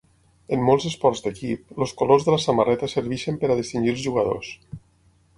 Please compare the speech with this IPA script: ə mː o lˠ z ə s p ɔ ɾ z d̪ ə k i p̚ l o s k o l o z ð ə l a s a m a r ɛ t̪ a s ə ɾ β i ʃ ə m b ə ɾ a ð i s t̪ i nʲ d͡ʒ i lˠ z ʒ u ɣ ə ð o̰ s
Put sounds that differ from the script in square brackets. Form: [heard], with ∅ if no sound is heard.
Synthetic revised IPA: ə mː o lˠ z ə s p ɔ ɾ z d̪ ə k i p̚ l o s k o l o z ð ə l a s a m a r ɛ t̪ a s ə ɾ β i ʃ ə m [p] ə ɾ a ð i s t̪ i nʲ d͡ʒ i lˠ z ʒ u ɣ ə ð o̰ s